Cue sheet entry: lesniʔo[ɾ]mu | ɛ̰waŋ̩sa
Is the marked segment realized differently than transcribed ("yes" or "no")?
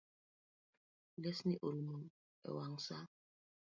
yes